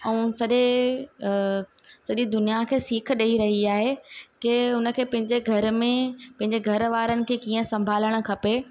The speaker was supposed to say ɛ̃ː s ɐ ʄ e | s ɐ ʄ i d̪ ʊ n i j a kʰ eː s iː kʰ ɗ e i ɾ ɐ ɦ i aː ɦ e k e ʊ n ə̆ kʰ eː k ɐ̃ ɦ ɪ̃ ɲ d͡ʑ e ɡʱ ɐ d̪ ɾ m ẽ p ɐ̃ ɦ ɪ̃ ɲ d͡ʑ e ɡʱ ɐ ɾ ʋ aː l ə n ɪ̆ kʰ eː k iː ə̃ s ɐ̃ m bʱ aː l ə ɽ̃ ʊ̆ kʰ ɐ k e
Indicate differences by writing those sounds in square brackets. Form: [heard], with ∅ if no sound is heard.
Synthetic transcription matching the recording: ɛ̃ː s ɐ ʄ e | s ɐ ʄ i d̪ ʊ n i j a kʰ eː s iː kʰ ɗ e i ɾ ɐ ɦ i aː ɦ e k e ʊ n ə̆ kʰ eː [p] ɐ̃ ɦ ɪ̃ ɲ d͡ʑ e ɡʱ ɐ [∅] ɾ m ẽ p ɐ̃ ɦ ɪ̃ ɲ d͡ʑ e ɡʱ ɐ ɾ ʋ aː [ɾ] ə n ɪ̆ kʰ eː k iː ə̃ s ɐ̃ m bʱ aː l ə ɽ̃ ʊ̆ kʰ ɐ [p] e